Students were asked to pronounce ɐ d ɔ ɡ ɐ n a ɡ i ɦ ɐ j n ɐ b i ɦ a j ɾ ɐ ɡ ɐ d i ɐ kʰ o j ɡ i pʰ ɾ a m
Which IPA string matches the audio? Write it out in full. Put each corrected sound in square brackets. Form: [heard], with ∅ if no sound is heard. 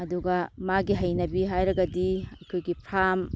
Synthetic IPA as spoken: ɐ d [u] ɡ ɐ [m] a ɡ i ɦ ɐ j n ɐ b i ɦ a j ɾ ɐ ɡ ɐ d i ɐ kʰ o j ɡ i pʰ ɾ a m